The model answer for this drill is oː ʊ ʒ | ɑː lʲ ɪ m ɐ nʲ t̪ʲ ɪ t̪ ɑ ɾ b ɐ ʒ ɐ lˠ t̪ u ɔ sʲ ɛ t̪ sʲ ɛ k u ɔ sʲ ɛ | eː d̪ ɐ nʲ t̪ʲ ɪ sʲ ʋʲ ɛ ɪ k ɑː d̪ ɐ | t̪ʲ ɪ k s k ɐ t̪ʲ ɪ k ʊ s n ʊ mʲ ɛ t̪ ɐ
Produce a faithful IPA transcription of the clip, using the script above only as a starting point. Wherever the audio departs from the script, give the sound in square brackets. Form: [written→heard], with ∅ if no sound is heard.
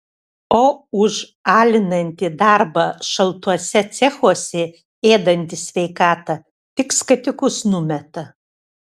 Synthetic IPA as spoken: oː ʊ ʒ | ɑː lʲ ɪ [m→n] ɐ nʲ t̪ʲ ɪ [t̪→d̪] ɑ ɾ b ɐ [ʒ→ʃ] ɐ lˠ t̪ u ɔ sʲ ɛ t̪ sʲ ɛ [k→x] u ɔ sʲ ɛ | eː d̪ ɐ nʲ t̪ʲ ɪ sʲ ʋʲ ɛ ɪ k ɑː [d̪→t̪] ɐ | t̪ʲ ɪ k s k ɐ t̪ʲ ɪ k ʊ s n ʊ mʲ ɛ t̪ ɐ